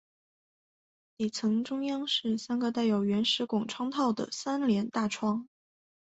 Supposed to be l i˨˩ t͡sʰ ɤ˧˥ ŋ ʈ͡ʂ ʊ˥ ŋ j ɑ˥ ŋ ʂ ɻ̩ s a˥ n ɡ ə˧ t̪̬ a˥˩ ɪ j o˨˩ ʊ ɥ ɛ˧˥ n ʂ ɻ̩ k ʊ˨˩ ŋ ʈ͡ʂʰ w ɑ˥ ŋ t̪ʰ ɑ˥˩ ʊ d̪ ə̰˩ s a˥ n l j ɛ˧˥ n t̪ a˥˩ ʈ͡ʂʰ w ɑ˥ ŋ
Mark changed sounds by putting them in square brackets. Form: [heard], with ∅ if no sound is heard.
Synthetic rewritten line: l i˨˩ t͡sʰ ɤ˧˥ ŋ ʈ͡ʂ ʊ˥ ŋ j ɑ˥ ŋ ʂ ɻ̩ s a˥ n ɡ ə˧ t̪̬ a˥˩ ɪ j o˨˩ ʊ ɥ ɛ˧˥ n ʂ ɻ̩ k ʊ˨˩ ŋ ʈ͡ʂʰ w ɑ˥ ŋ t̪ʰ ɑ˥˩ ʊ d̪ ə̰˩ s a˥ n l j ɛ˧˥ n t̪ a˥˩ ʈ͡ʂʰ w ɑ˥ ŋ